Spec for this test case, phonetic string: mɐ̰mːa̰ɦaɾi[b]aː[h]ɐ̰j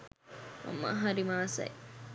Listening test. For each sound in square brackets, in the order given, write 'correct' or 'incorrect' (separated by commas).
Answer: incorrect, incorrect